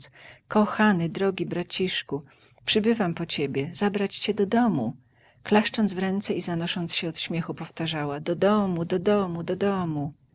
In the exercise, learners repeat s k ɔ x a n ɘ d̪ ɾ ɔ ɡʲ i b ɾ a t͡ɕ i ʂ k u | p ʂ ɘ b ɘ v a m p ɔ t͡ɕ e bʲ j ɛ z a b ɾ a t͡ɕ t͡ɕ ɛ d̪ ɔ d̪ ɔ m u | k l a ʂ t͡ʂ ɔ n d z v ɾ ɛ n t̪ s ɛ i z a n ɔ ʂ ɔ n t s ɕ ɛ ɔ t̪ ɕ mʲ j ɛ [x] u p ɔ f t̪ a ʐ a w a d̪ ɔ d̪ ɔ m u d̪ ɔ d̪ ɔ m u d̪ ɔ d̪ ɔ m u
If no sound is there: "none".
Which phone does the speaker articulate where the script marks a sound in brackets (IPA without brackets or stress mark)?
x